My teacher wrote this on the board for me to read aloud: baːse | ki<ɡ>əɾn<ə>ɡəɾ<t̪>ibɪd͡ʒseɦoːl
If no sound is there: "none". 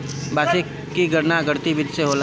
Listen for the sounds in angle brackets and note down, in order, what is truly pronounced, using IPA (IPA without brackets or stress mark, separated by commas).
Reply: ɡ, a, t̪